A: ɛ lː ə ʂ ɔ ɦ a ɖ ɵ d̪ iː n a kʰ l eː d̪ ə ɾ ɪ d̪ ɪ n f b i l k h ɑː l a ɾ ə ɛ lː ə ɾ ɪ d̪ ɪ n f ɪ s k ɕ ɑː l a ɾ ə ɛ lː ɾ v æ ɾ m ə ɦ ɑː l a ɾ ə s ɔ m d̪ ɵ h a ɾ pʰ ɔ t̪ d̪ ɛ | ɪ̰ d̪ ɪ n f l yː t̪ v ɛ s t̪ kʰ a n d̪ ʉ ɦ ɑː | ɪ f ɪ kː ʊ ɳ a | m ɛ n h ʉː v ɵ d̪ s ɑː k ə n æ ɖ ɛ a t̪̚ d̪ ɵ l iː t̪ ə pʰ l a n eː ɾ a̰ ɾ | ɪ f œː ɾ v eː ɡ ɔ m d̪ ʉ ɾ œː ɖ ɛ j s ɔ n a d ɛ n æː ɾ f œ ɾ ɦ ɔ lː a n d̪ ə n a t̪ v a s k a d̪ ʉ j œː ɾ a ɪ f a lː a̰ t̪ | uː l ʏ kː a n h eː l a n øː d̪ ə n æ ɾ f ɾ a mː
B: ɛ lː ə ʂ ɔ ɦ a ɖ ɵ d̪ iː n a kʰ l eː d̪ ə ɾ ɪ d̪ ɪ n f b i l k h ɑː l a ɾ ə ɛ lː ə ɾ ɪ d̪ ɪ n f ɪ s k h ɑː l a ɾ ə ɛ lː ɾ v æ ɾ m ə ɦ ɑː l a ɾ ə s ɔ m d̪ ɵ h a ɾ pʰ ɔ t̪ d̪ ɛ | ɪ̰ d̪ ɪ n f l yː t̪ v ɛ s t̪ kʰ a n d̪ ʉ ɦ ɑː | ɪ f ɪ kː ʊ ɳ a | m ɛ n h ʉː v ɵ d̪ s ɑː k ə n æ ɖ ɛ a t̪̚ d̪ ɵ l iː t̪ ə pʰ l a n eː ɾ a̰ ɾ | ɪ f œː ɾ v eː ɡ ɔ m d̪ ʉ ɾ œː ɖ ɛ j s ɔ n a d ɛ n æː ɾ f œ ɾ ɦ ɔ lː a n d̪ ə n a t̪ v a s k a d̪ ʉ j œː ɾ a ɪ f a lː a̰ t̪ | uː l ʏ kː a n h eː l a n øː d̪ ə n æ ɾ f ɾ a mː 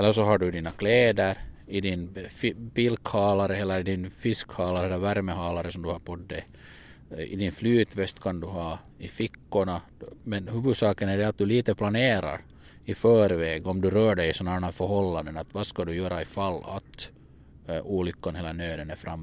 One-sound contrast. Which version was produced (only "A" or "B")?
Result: B